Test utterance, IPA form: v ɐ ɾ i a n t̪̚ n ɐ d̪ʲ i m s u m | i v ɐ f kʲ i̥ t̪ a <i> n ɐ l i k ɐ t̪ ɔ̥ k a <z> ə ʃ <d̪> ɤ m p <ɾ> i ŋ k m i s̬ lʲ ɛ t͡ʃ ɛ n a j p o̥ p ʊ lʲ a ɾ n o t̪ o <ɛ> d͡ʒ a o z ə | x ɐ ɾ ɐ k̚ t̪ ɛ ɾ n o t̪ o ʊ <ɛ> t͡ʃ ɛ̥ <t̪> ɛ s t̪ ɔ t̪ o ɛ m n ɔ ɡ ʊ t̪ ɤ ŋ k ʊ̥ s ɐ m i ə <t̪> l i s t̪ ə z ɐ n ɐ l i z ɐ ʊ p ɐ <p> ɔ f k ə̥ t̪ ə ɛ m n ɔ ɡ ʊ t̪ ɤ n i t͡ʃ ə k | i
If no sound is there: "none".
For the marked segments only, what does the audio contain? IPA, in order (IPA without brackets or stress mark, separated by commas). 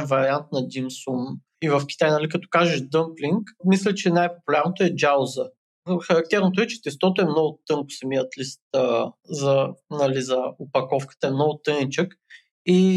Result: j, ʒ, d̪, l, ɛ, ɛ, t̪, t̪, k